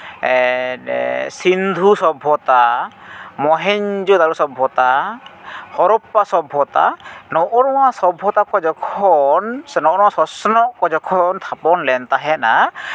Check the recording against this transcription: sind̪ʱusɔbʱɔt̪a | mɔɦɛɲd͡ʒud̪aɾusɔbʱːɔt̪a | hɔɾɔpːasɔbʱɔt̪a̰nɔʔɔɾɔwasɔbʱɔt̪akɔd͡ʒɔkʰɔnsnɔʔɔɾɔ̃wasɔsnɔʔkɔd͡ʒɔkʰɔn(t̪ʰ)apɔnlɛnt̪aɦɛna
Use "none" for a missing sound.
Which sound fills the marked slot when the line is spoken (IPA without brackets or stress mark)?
t̪ʰ